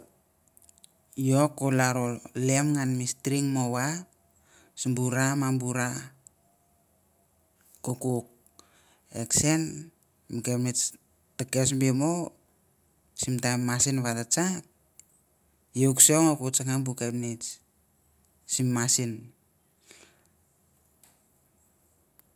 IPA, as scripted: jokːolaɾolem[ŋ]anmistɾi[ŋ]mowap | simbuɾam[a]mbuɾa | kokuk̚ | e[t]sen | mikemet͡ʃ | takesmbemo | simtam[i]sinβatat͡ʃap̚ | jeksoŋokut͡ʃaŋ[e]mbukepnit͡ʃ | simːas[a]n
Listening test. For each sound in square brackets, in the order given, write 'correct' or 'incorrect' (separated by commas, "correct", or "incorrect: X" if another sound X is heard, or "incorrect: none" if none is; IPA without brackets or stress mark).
correct, correct, correct, incorrect: k, incorrect: a, incorrect: a, incorrect: i